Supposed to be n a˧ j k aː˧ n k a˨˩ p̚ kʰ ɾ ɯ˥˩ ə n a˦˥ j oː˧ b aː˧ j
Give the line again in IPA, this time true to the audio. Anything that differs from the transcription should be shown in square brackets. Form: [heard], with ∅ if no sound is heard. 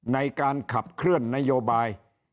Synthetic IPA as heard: n a˧ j k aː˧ n [kʰ] a˨˩ p̚ kʰ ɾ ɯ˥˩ ə [nː] a˦˥ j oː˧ b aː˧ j